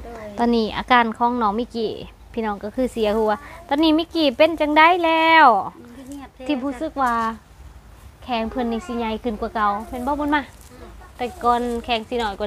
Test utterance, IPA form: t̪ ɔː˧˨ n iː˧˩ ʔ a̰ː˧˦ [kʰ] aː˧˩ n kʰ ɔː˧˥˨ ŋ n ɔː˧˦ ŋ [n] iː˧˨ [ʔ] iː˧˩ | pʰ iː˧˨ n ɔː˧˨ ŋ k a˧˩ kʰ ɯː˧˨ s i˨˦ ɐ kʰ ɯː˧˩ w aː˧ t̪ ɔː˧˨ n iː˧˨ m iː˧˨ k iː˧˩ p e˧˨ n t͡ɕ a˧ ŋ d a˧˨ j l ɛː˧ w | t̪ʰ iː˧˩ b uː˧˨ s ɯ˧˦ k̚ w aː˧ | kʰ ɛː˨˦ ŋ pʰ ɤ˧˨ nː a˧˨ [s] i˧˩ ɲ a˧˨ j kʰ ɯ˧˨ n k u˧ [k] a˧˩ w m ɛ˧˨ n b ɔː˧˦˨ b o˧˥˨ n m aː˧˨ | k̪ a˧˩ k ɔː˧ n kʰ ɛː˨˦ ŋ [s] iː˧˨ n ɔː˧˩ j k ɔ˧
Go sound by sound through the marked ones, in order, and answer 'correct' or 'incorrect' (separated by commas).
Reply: incorrect, incorrect, incorrect, correct, correct, correct